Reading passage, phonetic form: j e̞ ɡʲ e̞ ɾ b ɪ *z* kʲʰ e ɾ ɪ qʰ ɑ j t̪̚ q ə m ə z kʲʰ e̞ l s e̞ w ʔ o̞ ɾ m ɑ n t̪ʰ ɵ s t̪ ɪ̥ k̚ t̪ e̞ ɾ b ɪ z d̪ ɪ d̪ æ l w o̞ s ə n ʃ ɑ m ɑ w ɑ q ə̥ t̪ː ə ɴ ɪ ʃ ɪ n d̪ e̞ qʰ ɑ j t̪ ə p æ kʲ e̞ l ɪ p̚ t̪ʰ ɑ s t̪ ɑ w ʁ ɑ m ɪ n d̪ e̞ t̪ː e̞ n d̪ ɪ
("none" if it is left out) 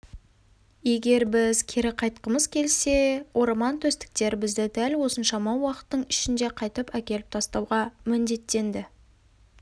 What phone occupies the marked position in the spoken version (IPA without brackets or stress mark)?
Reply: z